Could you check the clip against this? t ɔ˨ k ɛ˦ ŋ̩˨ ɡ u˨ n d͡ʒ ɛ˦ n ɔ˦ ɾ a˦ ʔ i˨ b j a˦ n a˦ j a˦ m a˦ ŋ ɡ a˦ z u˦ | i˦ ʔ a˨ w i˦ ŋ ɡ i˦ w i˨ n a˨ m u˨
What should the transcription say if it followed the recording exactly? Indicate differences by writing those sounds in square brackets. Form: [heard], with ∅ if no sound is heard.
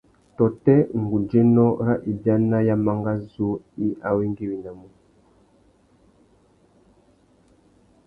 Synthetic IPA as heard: t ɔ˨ [t] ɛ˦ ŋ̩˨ ɡ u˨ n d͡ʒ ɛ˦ n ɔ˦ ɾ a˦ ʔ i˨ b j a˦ n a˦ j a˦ m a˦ ŋ ɡ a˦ z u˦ | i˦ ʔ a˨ w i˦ ŋ ɡ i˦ w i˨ n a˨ m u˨